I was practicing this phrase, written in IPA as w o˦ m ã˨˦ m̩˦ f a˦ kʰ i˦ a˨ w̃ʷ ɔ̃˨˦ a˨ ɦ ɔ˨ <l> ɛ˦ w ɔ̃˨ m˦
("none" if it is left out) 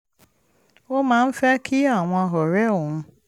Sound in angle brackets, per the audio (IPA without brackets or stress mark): ɾ